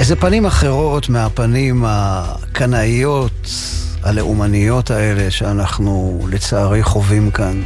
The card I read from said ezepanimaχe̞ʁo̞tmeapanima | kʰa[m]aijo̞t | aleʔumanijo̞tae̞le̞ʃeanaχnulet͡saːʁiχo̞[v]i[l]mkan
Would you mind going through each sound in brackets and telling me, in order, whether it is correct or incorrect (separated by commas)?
incorrect, correct, incorrect